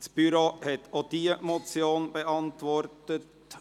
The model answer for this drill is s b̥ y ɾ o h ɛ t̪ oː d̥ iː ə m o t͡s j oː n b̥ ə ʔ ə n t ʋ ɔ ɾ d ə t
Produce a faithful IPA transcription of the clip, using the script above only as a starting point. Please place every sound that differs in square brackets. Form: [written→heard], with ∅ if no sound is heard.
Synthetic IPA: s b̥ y ɾ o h ɛ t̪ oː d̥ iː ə m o t͡s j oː n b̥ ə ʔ [ə→ɑ] n t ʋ ɔ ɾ [d→t] ə t